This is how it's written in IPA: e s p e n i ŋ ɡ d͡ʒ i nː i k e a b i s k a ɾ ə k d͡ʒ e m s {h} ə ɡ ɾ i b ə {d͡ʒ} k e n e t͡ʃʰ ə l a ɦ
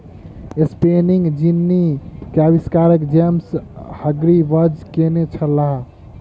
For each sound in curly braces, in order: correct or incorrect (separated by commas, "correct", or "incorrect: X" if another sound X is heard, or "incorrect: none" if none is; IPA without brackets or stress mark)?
correct, correct